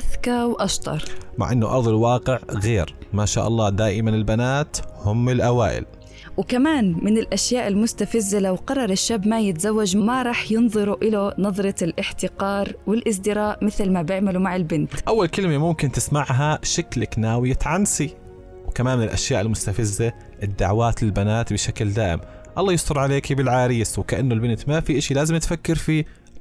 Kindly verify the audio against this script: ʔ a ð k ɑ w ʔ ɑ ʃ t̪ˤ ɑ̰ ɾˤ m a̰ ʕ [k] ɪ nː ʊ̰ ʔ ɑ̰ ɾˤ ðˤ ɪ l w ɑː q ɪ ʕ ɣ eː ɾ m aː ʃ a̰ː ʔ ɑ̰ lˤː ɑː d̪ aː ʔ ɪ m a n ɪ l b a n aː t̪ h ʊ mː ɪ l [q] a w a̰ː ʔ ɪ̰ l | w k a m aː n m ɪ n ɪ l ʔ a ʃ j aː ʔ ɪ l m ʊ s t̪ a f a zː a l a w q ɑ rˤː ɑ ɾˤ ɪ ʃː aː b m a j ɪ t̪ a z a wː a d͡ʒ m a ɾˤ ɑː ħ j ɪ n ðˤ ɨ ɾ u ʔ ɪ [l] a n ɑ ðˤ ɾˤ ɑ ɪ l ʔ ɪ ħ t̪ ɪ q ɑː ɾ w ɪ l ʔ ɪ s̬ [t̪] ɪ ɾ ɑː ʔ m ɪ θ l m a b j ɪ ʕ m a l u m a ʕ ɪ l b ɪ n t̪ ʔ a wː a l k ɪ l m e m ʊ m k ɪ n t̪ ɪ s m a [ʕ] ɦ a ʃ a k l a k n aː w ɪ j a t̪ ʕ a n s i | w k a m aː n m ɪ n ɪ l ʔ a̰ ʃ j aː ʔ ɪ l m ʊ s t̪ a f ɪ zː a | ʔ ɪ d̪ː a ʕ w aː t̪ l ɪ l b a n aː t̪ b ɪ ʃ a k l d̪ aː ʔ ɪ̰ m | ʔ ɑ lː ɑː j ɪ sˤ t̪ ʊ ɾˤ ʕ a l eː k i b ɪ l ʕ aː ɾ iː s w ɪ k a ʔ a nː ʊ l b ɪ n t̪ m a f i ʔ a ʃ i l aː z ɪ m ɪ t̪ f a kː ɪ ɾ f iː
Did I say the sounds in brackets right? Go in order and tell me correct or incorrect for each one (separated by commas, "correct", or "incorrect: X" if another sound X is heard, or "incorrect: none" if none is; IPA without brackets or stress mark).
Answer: incorrect: ʔ, incorrect: ʔ, correct, incorrect: d̪, correct